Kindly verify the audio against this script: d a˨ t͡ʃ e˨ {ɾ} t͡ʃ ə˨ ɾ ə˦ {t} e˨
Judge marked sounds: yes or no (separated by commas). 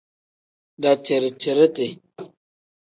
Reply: yes, yes